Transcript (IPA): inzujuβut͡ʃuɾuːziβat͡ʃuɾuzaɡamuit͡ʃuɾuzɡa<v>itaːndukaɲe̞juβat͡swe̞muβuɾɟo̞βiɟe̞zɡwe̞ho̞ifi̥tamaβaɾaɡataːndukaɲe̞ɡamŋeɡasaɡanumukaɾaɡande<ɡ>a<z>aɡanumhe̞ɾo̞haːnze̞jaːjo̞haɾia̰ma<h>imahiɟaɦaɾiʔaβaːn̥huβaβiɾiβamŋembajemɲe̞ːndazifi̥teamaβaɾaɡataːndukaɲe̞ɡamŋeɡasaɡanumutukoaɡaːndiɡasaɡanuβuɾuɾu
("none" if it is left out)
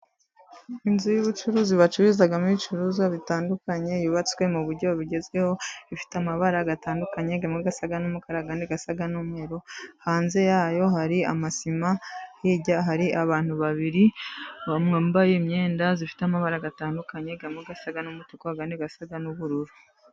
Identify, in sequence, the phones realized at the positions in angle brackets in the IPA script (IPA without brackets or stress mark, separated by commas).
β, ɡ, s, s